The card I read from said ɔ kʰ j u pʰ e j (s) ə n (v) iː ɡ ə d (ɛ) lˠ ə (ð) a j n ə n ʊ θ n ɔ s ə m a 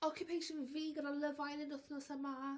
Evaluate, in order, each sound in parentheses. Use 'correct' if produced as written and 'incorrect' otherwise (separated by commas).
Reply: incorrect, correct, incorrect, incorrect